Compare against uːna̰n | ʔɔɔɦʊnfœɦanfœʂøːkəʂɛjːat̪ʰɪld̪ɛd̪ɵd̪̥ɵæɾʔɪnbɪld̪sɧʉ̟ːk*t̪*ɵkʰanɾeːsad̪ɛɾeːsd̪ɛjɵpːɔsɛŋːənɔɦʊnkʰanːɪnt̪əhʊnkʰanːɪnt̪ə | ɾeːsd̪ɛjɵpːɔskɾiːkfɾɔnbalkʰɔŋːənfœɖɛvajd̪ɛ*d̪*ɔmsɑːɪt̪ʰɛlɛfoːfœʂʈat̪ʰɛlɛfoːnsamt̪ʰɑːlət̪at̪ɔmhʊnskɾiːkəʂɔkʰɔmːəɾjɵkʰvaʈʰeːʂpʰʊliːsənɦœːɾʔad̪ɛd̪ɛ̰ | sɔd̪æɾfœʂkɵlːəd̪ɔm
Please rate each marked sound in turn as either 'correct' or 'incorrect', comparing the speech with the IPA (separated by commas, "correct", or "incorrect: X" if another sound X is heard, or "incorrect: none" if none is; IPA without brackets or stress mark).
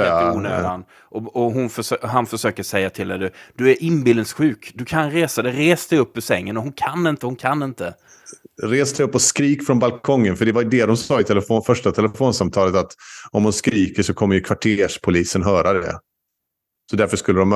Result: incorrect: d̪, correct